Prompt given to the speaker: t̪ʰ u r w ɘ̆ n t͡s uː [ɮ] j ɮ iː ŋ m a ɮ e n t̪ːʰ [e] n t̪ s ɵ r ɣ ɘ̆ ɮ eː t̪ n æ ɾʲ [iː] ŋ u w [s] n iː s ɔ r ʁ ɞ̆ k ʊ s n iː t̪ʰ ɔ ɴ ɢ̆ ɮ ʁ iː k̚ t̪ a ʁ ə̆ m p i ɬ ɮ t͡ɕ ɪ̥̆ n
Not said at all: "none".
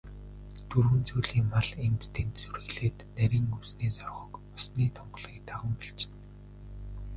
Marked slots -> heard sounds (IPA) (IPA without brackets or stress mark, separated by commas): none, e, iː, s